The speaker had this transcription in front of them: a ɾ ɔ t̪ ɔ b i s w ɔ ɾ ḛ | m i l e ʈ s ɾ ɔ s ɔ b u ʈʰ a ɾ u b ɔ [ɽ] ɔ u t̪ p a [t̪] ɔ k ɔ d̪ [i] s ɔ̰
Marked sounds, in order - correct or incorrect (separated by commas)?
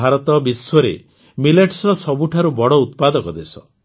correct, incorrect, incorrect